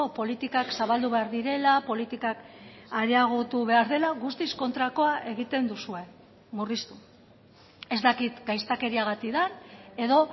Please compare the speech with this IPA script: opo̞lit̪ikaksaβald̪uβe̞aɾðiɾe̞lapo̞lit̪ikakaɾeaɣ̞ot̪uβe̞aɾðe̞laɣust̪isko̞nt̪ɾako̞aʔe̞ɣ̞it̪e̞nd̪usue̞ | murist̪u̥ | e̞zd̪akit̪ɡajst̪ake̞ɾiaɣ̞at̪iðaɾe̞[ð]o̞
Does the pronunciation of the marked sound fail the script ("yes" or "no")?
no